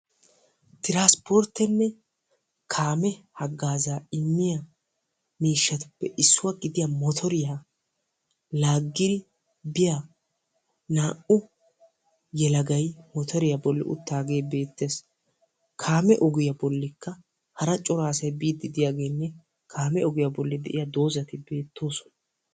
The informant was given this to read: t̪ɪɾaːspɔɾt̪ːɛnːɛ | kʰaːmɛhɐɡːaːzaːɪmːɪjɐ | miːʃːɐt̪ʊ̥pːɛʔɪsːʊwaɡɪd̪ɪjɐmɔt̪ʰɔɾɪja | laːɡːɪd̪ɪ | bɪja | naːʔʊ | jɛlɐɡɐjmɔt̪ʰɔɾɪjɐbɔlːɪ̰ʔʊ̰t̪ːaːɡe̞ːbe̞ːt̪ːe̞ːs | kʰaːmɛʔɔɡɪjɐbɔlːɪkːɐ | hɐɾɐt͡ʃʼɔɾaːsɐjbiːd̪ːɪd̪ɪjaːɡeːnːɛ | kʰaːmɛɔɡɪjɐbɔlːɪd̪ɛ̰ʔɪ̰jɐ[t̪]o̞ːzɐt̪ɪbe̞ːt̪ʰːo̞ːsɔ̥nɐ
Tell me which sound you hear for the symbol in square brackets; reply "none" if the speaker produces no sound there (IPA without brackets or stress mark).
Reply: d̪